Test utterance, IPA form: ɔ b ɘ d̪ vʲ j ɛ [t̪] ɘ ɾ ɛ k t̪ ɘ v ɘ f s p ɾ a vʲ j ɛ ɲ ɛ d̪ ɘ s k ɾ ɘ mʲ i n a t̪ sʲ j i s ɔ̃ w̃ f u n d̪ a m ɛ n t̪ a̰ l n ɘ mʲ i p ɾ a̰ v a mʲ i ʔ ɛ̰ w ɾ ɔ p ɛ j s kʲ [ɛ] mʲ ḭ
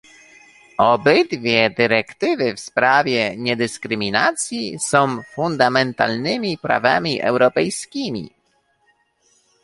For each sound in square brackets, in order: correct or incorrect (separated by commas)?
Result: incorrect, incorrect